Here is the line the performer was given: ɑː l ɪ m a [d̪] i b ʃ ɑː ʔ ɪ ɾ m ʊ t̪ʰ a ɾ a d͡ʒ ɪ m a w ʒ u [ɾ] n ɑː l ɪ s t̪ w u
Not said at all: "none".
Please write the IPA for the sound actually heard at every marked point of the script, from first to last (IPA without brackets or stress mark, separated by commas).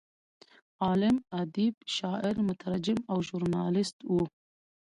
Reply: d̪, ɾ